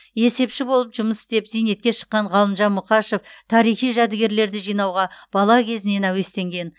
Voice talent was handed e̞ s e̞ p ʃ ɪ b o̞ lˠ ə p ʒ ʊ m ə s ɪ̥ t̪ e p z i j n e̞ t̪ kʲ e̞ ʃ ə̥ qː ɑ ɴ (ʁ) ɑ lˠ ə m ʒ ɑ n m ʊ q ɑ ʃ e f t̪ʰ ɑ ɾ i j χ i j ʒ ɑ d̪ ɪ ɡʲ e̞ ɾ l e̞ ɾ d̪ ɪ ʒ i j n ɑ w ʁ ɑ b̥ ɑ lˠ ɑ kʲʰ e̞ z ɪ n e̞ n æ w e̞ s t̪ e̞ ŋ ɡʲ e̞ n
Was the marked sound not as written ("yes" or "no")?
no